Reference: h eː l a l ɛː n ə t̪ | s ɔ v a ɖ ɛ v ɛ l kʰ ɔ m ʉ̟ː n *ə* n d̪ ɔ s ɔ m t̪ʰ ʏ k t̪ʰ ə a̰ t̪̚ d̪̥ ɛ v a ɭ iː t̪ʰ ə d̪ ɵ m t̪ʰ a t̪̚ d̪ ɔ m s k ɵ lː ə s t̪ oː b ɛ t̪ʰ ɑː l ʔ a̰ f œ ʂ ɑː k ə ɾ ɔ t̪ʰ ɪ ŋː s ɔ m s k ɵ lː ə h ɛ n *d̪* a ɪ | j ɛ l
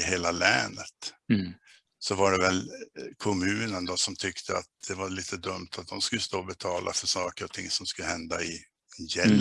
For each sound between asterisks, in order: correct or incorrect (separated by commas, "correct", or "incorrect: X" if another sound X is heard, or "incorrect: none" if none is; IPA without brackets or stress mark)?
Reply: correct, correct